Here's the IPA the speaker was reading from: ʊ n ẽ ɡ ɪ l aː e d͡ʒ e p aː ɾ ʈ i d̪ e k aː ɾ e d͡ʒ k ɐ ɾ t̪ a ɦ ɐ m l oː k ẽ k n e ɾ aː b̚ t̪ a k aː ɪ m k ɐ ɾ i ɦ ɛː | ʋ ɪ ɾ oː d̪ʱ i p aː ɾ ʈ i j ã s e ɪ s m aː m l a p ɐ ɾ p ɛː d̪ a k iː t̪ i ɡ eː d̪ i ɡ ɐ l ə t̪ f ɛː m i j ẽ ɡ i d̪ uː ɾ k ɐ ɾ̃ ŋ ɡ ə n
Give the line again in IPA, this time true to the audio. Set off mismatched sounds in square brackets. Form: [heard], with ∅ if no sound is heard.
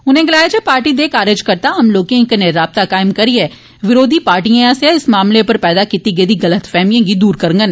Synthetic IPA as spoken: ʊ n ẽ ɡ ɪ l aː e d͡ʒ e p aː ɾ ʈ i d̪ e k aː ɾ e d͡ʒ k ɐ ɾ t̪ a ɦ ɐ m l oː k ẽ k n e ɾ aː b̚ t̪ a k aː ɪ m k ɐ ɾ i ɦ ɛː | ʋ ɪ ɾ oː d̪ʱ i p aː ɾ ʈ i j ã s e ɪ s m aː m l [e] p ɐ ɾ p ɛː d̪ a k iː t̪ i ɡ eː d̪ i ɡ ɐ l ə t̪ f ɛː m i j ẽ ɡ i d̪ uː ɾ k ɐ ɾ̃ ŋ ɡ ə n